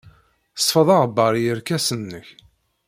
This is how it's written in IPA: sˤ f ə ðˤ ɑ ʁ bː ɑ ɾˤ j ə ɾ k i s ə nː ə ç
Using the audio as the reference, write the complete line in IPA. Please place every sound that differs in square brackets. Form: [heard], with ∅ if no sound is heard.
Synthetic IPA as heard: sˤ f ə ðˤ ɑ ʁ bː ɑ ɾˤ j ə ɾ k [æ] s ə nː ə ç

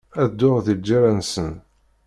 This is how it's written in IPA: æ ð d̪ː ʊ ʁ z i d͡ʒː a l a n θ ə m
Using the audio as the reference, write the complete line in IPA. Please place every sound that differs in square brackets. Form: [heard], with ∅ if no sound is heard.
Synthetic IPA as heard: æ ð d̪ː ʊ ʁ [ð] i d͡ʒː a [ɾ] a n [s] ə [n]

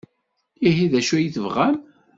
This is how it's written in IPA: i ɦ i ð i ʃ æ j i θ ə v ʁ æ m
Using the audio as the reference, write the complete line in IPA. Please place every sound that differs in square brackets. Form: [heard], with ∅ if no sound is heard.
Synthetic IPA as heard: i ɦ i ð [æ] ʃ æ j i θ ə v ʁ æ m

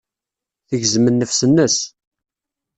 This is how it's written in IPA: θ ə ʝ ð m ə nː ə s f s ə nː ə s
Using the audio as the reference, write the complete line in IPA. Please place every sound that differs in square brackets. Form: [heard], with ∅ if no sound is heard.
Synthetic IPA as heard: θ ə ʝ [z] m ə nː ə [∅] f s ə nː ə s

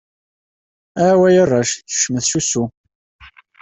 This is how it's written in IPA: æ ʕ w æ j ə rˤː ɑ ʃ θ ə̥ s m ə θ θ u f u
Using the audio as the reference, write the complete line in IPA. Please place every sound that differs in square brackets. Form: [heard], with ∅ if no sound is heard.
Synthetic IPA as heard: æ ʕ w æ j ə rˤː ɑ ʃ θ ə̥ [ʃ] m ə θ [ʃ] u [s] u

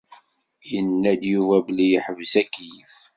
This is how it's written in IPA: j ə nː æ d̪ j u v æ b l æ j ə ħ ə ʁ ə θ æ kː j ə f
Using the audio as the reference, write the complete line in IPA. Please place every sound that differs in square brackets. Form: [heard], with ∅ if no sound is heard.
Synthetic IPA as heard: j ə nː æ d̪ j u v æ b l [i] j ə ħ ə [v] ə [s] æ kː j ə f

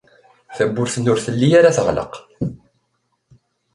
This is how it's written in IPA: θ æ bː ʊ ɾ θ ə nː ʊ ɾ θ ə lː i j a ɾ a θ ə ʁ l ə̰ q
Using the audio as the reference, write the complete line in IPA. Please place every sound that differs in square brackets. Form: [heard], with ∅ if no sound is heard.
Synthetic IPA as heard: θ æ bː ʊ ɾ θ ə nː ʊ ɾ θ ə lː i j a ɾ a θ ə ʁ l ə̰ q

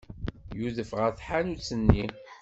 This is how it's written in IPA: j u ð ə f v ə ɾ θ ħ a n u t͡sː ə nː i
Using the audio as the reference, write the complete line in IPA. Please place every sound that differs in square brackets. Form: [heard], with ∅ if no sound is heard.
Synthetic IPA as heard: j u ð ə f [ʁ] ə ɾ θ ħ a n u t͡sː ə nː i

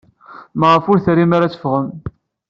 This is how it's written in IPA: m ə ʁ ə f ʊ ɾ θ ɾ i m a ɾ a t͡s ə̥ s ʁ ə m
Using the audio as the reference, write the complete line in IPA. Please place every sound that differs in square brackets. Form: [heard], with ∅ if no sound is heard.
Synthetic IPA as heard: m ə ʁ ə f ʊ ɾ θ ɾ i m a ɾ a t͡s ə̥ [f] ʁ ə m

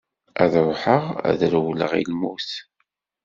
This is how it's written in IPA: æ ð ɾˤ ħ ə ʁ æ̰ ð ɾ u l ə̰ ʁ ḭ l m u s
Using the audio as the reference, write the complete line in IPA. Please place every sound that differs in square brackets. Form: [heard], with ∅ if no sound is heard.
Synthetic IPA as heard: æ ð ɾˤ ħ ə ʁ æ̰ ð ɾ [w] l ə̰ ʁ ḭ l m u [θ]

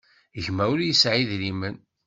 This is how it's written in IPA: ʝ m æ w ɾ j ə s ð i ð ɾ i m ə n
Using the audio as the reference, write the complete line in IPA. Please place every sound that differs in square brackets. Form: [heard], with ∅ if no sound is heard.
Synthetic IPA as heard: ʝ m æ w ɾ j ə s [ʕ] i ð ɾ i m ə n

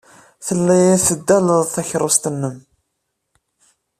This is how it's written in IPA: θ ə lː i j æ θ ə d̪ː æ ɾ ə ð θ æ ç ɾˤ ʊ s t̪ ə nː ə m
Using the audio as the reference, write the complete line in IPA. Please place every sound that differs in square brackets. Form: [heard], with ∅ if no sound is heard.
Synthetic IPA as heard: θ ə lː [æ] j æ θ ə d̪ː æ [l] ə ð θ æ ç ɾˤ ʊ s t̪ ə nː ə m

